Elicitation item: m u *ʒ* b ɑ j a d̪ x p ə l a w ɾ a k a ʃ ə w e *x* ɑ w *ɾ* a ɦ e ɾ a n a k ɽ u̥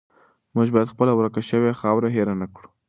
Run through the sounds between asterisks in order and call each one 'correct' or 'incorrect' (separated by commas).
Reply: correct, correct, correct